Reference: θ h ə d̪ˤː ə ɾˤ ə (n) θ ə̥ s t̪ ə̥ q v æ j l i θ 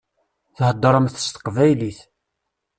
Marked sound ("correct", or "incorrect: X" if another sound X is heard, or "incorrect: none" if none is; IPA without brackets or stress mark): incorrect: m